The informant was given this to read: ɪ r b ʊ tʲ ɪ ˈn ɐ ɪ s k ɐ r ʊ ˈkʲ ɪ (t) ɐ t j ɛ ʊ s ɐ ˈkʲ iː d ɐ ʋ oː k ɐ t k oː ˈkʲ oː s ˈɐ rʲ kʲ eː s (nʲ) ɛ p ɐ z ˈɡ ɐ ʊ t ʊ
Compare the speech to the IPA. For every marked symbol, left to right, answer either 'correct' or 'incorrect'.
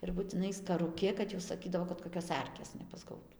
incorrect: k, correct

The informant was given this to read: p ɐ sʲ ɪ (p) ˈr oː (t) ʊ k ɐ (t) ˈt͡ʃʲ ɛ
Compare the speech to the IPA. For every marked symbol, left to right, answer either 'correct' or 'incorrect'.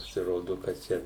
incorrect: none, incorrect: d, correct

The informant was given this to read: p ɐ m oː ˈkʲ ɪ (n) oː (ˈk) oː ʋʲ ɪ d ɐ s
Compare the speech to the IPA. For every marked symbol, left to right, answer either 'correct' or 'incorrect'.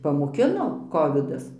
correct, correct

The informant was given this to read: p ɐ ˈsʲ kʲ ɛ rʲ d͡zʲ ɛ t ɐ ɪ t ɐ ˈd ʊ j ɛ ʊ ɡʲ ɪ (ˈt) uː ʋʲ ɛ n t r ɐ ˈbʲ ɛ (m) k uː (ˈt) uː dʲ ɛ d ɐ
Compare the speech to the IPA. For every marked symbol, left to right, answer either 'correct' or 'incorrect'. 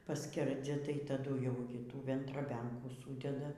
correct, incorrect: ŋ, incorrect: s

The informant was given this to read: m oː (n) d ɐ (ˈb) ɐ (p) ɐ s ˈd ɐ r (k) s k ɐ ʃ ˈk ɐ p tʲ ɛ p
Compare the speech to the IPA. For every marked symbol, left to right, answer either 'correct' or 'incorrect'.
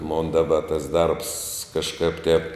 correct, correct, incorrect: t, incorrect: p

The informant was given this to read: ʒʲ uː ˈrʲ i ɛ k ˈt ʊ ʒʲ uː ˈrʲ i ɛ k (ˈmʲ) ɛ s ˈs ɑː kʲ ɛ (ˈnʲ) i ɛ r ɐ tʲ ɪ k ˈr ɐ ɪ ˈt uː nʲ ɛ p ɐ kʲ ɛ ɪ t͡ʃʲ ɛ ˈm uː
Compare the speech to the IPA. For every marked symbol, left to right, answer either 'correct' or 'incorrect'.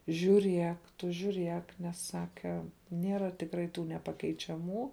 incorrect: nʲ, correct

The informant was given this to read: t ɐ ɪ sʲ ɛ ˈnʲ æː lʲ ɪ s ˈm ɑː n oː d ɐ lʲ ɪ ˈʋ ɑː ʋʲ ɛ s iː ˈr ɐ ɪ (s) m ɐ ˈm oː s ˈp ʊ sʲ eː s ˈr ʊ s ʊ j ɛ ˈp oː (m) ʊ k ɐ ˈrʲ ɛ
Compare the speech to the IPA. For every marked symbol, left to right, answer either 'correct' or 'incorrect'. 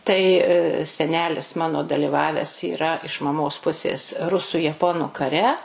incorrect: ʃ, incorrect: n

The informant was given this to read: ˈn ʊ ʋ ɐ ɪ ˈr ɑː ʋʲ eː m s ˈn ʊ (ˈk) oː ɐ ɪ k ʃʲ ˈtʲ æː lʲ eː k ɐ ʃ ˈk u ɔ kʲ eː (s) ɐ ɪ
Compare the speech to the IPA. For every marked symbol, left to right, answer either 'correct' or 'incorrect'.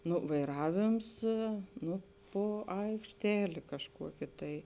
incorrect: p, incorrect: t

